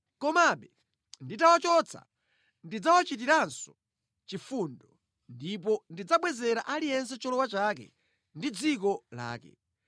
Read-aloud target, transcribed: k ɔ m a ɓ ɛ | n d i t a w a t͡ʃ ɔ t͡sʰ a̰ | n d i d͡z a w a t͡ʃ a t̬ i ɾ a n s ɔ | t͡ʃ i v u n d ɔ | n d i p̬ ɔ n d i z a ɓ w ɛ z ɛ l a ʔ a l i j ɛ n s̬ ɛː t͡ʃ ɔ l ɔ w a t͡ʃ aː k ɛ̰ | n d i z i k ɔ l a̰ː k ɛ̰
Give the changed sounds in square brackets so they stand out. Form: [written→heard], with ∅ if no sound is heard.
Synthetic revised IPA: k ɔ m a ɓ ɛ | n d i t a w a t͡ʃ ɔ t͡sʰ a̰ | n d i d͡z a w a t͡ʃ [a→i] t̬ i ɾ a n s ɔ | t͡ʃ i [v→f] u n d ɔ | n d i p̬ ɔ n d i [z→d͡z] a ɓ w ɛ z ɛ [l→ɾ] a ʔ a l i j ɛ n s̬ [ɛː→ɛ] t͡ʃ ɔ l ɔ w a t͡ʃ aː k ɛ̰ | n d i [z→d͡z] i k ɔ l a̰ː k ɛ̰